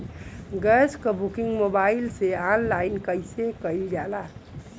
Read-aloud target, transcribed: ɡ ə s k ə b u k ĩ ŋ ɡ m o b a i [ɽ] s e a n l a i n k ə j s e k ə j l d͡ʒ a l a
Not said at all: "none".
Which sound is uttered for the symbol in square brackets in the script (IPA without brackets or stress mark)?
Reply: l